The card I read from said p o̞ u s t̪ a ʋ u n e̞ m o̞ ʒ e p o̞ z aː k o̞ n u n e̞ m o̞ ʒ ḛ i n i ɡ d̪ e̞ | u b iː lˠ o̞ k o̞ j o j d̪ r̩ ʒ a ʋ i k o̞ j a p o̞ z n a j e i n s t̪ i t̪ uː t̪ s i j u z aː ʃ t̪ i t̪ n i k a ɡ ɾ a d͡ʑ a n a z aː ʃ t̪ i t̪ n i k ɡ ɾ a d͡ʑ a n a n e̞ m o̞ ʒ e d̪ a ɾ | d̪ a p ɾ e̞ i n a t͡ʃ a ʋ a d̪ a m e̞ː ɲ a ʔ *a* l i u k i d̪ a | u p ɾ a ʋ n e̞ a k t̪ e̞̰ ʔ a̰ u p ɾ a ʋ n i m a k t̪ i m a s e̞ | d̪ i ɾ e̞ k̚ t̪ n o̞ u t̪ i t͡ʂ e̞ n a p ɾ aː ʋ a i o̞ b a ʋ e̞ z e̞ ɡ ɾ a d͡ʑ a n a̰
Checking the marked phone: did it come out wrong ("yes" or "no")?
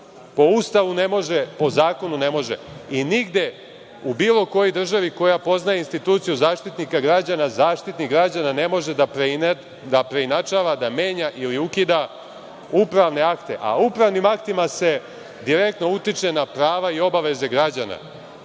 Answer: yes